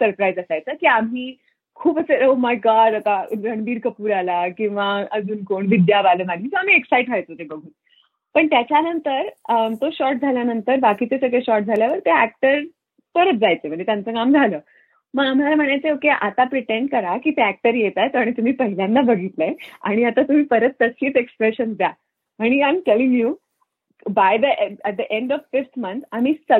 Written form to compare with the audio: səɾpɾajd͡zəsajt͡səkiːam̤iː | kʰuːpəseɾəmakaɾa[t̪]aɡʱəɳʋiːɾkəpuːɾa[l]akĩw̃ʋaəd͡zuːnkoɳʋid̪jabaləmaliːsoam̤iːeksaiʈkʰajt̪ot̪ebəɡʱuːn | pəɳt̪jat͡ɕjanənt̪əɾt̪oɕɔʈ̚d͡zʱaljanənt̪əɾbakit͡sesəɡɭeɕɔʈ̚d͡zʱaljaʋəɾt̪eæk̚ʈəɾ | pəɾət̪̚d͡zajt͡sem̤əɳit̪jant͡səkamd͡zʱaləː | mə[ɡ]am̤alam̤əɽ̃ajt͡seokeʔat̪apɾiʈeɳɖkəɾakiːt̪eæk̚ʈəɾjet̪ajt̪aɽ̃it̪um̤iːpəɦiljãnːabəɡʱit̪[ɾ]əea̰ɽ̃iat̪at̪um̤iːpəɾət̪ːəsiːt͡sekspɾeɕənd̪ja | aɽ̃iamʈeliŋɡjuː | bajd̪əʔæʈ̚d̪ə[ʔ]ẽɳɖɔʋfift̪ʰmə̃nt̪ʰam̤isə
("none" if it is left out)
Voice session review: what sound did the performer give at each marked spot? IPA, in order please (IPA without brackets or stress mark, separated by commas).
t̪, l, ɡ, l, ʔ